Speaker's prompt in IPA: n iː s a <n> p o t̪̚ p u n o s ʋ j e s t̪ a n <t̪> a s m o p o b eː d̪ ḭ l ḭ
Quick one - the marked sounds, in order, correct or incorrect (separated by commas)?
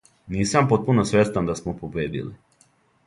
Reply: incorrect, incorrect